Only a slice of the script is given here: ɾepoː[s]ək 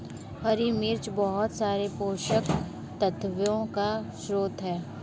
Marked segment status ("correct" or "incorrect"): incorrect